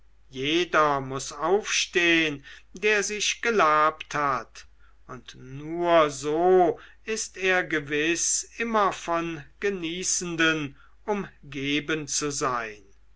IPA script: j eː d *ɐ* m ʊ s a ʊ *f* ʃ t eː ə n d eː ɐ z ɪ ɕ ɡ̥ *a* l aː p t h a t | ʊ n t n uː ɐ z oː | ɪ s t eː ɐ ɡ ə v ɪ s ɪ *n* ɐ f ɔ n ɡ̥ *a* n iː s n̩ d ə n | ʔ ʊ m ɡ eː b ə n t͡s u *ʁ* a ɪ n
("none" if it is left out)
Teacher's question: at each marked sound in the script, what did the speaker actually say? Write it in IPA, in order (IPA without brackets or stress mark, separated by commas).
ɐ, f, ə, m, ə, z